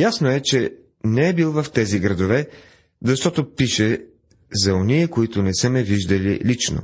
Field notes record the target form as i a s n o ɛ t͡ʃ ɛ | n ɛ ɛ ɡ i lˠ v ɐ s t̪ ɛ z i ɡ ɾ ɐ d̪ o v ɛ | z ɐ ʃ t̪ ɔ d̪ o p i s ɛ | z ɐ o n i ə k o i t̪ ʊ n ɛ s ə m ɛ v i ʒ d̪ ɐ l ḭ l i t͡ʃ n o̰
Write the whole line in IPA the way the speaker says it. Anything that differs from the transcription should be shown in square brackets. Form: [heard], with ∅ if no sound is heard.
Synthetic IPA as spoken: [j] a s n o ɛ t͡ʃ ɛ | n ɛ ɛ [b] i lˠ v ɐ [f] t̪ ɛ z i ɡ ɾ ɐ d̪ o v ɛ | z ɐ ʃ t̪ ɔ [t̪] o p i [ʃ] ɛ | z ɐ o n i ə k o i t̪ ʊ n ɛ s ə m ɛ v i ʒ d̪ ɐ l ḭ l i t͡ʃ n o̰